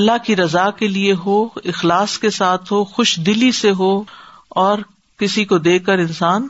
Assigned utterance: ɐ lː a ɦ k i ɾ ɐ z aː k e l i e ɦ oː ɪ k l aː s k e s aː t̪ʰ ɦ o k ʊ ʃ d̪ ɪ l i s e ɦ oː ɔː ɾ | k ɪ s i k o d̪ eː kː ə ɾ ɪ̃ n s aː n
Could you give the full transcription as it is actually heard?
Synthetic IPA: ɐ lː a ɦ k i ɾ ɐ z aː k e l i e ɦ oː ɪ x l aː s k e s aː t̪ʰ ɦ o x ʊ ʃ d̪ ɪ l i s e ɦ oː ɔː ɾ | k ɪ s i k o d̪ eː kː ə ɾ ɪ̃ n s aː n